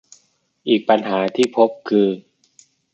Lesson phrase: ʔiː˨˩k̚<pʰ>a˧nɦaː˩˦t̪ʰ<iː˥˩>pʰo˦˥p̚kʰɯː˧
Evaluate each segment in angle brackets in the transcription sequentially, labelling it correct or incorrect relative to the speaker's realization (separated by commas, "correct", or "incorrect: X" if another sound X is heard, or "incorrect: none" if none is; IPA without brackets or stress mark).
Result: incorrect: p, correct